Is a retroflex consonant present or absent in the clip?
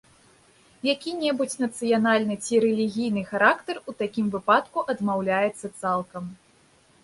absent